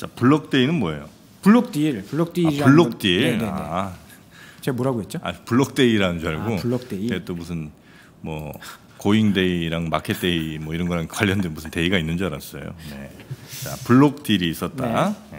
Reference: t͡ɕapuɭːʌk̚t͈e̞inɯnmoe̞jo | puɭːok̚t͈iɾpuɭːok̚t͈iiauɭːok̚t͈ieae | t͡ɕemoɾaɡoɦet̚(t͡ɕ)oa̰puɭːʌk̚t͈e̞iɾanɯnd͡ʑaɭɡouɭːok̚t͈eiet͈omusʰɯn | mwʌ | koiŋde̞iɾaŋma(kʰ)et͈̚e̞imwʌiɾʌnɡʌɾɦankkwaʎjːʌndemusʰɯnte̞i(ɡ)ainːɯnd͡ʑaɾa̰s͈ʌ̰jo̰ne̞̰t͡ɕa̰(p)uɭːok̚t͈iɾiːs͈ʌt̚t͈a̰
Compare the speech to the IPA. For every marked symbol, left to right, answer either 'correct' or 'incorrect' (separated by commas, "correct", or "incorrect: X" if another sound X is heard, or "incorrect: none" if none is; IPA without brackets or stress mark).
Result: correct, correct, correct, correct